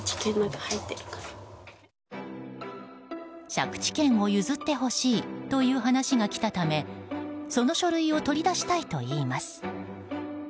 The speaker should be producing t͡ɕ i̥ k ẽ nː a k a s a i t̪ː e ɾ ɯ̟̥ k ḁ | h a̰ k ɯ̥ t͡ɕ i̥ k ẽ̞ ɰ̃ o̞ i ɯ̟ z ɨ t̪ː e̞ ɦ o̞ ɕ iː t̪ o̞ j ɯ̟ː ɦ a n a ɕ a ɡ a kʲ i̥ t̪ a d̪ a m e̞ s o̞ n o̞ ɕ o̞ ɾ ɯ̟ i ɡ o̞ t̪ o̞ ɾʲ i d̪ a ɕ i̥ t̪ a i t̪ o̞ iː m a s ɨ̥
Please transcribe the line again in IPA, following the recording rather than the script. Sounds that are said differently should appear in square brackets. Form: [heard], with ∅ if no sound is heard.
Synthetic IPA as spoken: t͡ɕ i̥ k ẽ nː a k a [h] a i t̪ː e ɾ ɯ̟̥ k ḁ | [ɕ] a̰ k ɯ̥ t͡ɕ i̥ k ẽ̞ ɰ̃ o̞ [j] ɯ̟ z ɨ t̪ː e̞ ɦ o̞ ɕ iː t̪ o̞ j ɯ̟ː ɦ a n a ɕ [i] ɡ a kʲ i̥ t̪ a [t̪] a m e̞ s o̞ n o̞ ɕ o̞ ɾ ɯ̟ i [∅] o̞ t̪ o̞ ɾʲ i d̪ a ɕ i̥ t̪ a i t̪ o̞ iː m a s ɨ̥